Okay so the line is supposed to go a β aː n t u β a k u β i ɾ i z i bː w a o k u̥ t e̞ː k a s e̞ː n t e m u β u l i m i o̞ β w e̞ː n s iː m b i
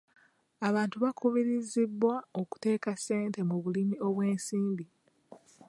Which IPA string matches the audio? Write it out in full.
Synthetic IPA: a β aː n t u β a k u β i ɾ i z i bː w a o k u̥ t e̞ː k a s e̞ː n t e m u β u l i m i o̞ β w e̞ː n s iː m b i